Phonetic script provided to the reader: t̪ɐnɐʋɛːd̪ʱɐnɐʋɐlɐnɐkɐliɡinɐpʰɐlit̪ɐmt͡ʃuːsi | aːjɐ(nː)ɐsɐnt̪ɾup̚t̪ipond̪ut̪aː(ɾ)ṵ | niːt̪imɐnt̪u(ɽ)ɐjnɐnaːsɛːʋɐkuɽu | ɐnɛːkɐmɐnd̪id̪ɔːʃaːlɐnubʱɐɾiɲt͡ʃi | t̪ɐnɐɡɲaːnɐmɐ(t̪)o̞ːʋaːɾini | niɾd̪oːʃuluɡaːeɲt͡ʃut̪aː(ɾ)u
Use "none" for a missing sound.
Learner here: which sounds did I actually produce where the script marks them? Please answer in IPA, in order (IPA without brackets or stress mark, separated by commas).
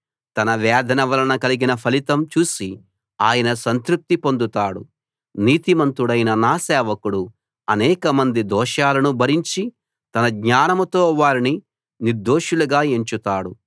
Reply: n, ɽ, ɽ, t̪, ɽ